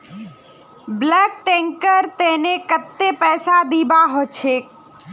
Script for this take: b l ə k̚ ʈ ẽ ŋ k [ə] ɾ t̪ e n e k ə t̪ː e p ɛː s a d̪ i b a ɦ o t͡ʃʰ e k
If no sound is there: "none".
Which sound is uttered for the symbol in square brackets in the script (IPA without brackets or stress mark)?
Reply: ə